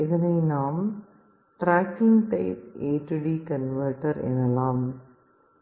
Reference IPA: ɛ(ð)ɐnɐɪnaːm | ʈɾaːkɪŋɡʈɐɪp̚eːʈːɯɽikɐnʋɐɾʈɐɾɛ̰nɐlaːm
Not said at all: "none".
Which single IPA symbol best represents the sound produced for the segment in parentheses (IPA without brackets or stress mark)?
ð